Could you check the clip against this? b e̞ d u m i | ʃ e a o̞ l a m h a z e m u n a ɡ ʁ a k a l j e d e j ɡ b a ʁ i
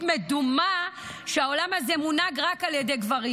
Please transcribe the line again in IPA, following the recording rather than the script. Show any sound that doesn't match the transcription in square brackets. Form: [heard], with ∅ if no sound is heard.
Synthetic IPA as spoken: [m] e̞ d u m [a] | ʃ e a o̞ l a m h a z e m u n a ɡ ʁ a k a l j e d e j ɡ [v] a ʁ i